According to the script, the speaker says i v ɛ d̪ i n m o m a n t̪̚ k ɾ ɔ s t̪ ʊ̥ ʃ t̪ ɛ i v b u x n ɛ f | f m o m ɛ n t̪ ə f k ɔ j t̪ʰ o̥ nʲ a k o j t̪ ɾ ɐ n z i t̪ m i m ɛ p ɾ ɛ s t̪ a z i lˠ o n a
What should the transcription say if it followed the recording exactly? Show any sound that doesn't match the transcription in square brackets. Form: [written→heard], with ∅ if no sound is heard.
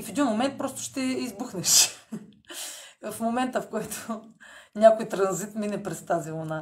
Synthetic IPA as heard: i [v→f] ɛ d̪ i n m o m [a→ɛ] n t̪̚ [k→p] ɾ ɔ s t̪ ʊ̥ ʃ t̪ ɛ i [v→z] b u x n ɛ [f→ʃ] | f m o m ɛ n t̪ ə f k ɔ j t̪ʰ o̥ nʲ a k o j t̪ ɾ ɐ n z i t̪ m i [m→n] ɛ p ɾ ɛ s t̪ a z i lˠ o n a